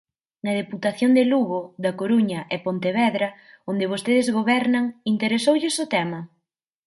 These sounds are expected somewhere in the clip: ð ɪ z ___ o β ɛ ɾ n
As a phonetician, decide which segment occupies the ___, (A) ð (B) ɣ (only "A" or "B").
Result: B